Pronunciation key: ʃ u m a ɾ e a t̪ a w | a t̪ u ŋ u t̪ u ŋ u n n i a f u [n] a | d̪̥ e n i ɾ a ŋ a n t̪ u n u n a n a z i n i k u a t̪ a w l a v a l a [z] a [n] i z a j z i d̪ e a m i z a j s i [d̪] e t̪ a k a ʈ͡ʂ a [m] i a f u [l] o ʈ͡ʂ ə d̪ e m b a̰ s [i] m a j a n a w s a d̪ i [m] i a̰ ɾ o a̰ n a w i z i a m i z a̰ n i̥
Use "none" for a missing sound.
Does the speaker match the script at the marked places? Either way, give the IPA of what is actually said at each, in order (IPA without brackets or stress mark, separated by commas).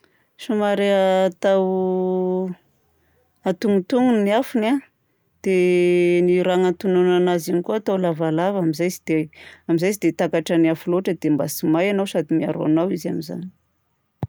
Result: n, v, m, d̪, n, l, i, m